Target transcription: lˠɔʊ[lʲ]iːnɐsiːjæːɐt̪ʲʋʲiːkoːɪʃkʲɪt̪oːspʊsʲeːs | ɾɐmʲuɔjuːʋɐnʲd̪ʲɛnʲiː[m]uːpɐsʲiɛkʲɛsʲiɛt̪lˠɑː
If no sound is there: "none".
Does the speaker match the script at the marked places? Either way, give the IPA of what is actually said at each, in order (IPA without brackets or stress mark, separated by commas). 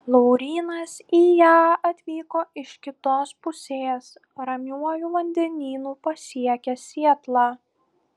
ɾʲ, n